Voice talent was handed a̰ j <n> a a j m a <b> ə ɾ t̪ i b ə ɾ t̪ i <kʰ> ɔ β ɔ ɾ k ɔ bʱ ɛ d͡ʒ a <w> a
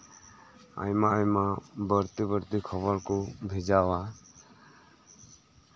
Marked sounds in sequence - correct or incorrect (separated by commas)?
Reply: incorrect, correct, correct, correct